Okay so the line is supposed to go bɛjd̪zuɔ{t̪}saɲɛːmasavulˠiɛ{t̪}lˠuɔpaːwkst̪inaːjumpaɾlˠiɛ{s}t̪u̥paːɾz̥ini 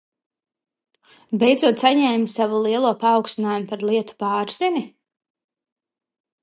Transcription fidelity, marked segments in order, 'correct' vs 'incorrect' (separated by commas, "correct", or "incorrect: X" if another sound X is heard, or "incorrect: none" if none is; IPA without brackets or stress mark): correct, incorrect: none, incorrect: none